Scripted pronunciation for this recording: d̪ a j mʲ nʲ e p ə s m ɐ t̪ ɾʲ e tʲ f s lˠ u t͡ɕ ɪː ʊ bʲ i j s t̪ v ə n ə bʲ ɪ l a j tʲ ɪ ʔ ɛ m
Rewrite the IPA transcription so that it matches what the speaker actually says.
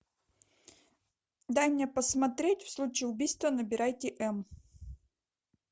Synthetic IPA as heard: d̪ a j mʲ nʲ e p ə s m ɐ t̪ ɾʲ e tʲ f s lˠ u t͡ɕ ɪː ʊ bʲ i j s t̪ v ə n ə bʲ ɪ ɾ a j tʲ ɪ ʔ ɛ m